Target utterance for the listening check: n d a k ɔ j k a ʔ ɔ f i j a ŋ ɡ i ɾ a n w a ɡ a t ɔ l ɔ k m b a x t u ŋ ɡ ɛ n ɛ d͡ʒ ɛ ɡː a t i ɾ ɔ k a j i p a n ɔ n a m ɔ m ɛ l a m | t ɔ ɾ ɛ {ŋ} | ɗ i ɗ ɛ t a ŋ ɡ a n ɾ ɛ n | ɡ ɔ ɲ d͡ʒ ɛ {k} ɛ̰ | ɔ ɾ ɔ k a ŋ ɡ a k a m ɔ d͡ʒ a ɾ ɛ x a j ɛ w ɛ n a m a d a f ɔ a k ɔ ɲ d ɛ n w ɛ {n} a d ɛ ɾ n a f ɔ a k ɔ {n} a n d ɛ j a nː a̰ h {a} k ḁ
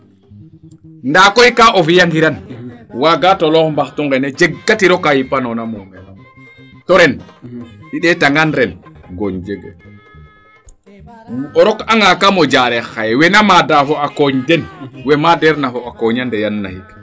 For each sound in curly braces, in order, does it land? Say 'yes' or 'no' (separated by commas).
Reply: no, no, no, no, no